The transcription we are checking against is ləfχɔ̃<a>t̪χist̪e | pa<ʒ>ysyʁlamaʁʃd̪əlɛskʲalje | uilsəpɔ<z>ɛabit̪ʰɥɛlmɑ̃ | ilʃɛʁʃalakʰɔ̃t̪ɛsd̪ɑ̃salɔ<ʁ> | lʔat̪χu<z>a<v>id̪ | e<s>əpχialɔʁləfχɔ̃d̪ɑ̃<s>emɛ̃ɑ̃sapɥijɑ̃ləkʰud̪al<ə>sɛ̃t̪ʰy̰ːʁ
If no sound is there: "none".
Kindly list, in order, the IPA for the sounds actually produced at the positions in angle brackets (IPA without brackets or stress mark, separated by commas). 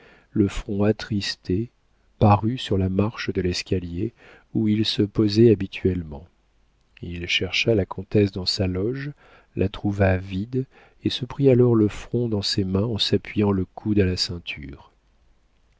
a, ʁ, z, ʒ, v, v, s, s, a